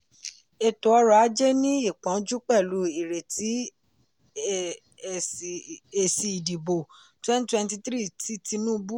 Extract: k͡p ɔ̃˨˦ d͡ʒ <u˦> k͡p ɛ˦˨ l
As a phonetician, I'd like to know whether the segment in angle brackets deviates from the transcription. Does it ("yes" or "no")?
no